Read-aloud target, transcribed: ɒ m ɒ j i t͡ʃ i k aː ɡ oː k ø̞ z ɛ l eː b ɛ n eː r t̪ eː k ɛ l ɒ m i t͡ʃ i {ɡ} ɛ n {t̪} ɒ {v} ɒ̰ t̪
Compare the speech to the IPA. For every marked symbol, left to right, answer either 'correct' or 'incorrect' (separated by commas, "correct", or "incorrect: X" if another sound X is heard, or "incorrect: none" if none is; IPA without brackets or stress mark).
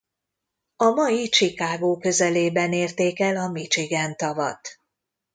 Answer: correct, correct, correct